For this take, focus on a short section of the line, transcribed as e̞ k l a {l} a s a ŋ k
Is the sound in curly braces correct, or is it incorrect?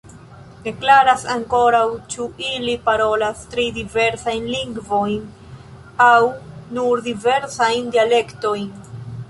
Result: incorrect